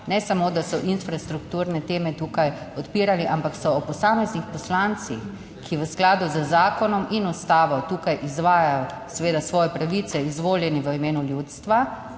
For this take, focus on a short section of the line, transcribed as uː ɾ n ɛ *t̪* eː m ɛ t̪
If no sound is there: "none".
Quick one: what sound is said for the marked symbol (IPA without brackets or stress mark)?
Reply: t̪